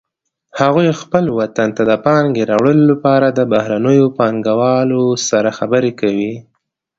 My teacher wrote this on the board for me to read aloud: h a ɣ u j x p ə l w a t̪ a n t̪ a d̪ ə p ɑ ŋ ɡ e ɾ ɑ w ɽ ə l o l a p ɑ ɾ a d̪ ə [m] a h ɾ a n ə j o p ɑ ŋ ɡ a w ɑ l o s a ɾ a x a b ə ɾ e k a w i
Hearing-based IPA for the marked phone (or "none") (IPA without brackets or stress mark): b